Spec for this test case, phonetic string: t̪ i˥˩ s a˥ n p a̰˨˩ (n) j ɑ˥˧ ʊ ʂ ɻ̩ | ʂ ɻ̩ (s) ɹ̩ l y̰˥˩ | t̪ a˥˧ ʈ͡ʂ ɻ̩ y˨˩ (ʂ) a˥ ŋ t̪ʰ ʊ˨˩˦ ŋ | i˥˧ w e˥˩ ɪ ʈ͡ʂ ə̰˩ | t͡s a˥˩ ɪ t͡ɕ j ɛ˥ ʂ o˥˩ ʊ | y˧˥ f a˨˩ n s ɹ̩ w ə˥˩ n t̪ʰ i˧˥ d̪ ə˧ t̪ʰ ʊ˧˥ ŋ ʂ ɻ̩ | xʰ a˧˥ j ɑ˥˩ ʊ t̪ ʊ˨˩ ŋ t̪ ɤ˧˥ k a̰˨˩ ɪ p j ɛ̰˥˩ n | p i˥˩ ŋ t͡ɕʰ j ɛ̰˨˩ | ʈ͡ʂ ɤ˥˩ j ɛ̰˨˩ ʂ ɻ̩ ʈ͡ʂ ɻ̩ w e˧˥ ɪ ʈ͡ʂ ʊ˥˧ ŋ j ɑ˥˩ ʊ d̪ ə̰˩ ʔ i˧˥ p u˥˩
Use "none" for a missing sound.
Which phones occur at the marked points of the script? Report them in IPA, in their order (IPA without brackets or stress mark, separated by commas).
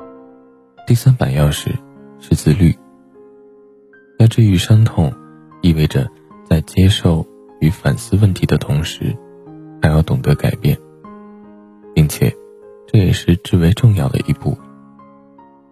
n, t͡s, ʂ